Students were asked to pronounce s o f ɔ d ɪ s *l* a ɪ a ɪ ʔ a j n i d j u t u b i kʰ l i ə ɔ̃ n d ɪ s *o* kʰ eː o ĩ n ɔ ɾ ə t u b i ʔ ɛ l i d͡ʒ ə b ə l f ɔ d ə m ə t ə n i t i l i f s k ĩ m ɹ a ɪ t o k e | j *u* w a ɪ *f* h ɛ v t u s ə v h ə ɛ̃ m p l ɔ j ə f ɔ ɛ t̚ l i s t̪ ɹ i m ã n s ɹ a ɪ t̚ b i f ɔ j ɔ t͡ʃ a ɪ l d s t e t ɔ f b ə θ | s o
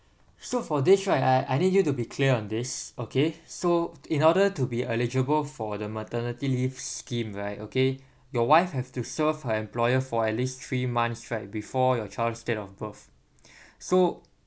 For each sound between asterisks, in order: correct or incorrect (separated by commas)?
incorrect, correct, incorrect, correct